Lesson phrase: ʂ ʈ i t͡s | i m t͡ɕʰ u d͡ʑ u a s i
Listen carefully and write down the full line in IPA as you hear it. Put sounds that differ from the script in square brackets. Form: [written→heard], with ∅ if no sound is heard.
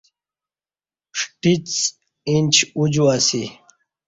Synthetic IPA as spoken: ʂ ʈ i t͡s | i [m→n] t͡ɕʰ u d͡ʑ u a s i